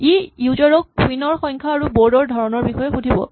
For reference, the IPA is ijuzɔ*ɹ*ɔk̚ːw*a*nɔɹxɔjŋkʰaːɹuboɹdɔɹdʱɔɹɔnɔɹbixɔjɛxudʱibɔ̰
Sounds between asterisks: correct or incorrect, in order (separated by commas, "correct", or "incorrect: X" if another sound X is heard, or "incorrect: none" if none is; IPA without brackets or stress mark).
correct, incorrect: i